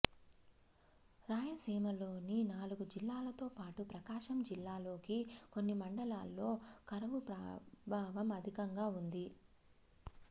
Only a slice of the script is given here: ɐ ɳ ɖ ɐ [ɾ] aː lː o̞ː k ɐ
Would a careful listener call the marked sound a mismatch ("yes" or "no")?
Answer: yes